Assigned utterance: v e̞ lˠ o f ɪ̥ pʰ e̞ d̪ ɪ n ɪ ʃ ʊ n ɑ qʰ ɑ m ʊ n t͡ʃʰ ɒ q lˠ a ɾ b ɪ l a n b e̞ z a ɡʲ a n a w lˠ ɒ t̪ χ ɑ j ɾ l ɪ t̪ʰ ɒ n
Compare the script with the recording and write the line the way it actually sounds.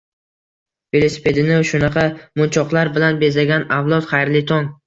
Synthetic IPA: v e̞ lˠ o s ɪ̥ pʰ e̞ d̪ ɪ n ɪ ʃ ʊ n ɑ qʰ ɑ m ʊ n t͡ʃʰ ɒ q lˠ a ɾ b ɪ l a n b e̞ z a ɡʲ a n a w lˠ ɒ t̪ χ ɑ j ɾ l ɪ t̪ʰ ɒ ŋ

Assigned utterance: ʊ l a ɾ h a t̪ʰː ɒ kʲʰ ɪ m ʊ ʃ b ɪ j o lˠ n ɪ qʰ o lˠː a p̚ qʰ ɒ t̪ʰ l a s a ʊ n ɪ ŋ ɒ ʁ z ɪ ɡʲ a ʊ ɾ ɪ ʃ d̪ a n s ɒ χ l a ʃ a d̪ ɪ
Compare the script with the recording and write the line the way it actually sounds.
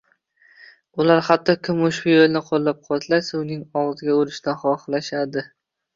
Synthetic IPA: ʊ l a ɾ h a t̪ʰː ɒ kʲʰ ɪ m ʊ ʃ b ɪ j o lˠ n ɪ qʰ o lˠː a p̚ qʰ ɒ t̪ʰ l a s a ʊ n ɪ ŋ ɒ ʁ z ɪ ɡʲ a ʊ ɾ ɪ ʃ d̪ a n χ ɒ χ l a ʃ a d̪ ɪ

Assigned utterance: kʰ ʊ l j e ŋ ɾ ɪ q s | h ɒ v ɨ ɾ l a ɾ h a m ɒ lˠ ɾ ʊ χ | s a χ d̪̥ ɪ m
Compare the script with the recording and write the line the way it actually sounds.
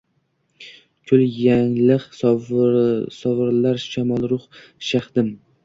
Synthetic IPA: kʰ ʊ l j a ŋ l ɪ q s | s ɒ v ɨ ɾ l a ɾ ʃ a m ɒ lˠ ɾ ʊ χ | ʃ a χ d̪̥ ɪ m

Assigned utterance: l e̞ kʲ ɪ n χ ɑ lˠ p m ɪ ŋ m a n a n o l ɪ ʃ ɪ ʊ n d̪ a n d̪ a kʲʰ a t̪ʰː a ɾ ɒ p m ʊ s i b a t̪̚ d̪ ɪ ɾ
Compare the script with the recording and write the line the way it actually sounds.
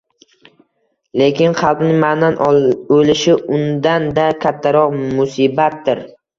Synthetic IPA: l e̞ kʲ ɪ n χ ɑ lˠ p n ɪ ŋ m a n a n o l ɪ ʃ ɪ ʊ n d̪ a n d̪ a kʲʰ a t̪ʰː a ɾ ɒ q m ʊ s i b a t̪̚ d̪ ɪ ɾ

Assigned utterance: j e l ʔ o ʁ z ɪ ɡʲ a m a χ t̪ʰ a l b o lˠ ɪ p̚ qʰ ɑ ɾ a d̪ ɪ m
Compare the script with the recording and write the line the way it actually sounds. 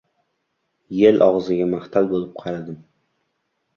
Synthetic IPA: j e l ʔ ɒ ʁ z ɪ ɡʲ a m a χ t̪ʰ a l b o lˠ ɪ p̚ qʰ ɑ ɾ a d̪ ɪ m

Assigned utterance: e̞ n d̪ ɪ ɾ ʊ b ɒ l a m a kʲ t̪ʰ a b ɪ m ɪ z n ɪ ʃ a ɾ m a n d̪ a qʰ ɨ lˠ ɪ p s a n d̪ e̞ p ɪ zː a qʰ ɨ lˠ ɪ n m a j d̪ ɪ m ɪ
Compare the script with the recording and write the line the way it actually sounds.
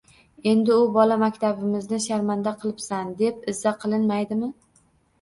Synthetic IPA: e̞ n d̪ ɪ ʊ b ɒ l a m a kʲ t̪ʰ a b ɪ m ɪ z n ɪ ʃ a ɾ m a n d̪ a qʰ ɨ lˠ ɪ p s a n d̪ e̞ p ɪ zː a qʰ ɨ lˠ ɪ n m a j d̪ ɪ m ɪ

